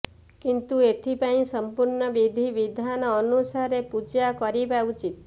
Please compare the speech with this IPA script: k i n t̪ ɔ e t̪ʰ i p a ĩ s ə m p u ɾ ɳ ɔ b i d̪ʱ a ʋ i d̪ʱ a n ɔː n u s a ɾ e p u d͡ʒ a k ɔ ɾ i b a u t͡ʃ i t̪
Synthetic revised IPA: k i n t̪ u e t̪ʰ i p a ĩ s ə m p u ɾ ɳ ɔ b i d̪ʱ i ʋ i d̪ʱ a n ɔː n u s a ɾ e p u d͡ʒ a k ɔ ɾ i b a u t͡ʃ i t̪